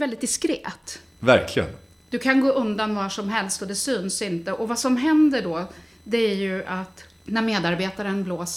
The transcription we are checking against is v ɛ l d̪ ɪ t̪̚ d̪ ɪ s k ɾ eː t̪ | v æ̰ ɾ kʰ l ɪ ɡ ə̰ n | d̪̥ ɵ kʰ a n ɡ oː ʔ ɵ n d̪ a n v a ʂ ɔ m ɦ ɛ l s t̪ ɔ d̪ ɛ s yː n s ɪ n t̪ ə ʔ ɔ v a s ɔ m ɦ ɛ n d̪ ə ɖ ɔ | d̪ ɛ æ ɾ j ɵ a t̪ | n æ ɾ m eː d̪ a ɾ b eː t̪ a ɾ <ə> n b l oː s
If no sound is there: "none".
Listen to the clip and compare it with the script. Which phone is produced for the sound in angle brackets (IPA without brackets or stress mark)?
ə